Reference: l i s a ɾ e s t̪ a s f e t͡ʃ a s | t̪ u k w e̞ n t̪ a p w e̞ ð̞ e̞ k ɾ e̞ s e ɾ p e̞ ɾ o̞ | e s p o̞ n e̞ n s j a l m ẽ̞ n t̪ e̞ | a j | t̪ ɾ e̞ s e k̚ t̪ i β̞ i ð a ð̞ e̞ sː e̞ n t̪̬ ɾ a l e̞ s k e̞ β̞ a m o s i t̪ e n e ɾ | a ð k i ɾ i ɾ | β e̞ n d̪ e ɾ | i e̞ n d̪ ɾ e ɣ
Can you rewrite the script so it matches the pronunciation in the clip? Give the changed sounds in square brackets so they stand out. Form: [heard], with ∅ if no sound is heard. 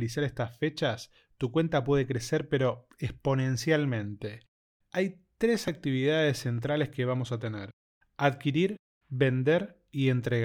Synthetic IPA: l i s a ɾ e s t̪ a s f e t͡ʃ a s | t̪ u k w e̞ n t̪ a p w e̞ ð̞ e̞ k ɾ e̞ s e ɾ p e̞ ɾ o̞ | e s p o̞ n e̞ n s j a l m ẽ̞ n t̪ e̞ | a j | t̪ ɾ e̞ s [a] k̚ t̪ i β̞ i ð a ð̞ e̞ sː e̞ n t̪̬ ɾ a l e̞ s k e̞ β̞ a m o s [a] t̪ e n e ɾ | a ð k i ɾ i ɾ | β e̞ n d̪ e ɾ | i e̞ n [t̪] ɾ e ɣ